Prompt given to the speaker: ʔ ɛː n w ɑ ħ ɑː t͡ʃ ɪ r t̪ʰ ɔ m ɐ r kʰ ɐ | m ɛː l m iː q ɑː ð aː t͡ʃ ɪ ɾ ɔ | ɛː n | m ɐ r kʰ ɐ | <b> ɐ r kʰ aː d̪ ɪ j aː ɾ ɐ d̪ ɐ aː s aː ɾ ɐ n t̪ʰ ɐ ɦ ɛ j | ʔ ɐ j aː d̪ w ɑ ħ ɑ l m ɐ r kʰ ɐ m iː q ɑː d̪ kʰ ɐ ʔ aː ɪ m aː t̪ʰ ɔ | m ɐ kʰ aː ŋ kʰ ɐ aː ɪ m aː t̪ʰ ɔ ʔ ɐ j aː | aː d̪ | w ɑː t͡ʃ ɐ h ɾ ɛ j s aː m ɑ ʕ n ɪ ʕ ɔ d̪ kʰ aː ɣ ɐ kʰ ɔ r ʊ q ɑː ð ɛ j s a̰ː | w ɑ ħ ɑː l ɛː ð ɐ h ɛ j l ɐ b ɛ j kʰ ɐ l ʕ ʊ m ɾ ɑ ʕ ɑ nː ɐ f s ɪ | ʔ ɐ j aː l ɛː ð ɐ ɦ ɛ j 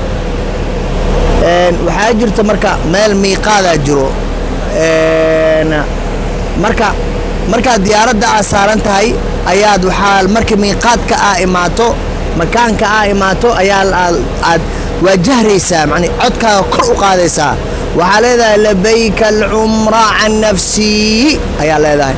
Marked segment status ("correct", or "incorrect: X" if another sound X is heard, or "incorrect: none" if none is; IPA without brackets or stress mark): incorrect: m